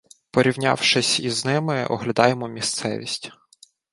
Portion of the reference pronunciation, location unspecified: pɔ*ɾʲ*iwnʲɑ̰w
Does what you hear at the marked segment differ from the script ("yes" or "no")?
no